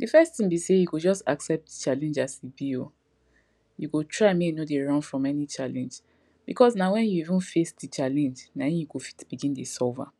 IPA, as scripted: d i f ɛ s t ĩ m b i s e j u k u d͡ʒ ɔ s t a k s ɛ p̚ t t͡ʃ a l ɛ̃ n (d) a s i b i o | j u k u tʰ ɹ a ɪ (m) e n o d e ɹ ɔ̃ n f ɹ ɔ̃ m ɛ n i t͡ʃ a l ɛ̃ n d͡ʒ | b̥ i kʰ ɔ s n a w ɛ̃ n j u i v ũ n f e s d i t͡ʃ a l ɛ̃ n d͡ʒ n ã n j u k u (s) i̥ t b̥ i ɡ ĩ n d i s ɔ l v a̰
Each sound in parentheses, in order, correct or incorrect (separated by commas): incorrect, correct, incorrect